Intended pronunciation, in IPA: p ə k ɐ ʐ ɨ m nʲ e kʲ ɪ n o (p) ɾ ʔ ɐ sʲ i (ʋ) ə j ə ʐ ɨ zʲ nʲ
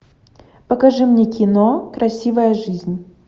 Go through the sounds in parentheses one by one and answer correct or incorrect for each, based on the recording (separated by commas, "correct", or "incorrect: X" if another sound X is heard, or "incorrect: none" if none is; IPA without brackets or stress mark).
incorrect: k, incorrect: v